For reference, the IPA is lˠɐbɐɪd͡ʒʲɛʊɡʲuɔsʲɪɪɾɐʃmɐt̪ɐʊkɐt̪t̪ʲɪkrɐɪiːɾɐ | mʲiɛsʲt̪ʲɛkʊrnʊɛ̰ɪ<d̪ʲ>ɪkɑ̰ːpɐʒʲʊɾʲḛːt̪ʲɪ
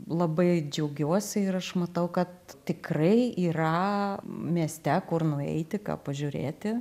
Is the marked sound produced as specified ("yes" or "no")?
no